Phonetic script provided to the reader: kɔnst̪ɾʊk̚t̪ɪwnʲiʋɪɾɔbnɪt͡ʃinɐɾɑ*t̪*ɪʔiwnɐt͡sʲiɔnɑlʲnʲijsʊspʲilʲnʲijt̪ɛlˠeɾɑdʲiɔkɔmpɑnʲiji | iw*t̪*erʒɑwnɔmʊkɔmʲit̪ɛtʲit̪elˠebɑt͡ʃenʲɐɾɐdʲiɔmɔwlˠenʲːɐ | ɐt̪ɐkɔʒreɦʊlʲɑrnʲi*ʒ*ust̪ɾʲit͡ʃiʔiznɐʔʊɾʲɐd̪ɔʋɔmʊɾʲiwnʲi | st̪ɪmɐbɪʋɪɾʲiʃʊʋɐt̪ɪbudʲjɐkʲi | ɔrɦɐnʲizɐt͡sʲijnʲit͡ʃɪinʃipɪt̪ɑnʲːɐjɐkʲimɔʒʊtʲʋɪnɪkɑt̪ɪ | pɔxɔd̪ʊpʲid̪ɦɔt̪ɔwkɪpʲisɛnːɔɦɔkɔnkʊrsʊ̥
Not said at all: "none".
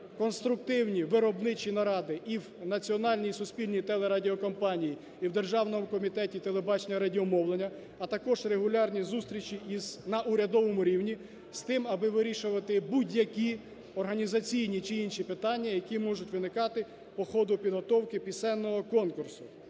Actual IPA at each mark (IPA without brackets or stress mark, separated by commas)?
d̪, d̪, z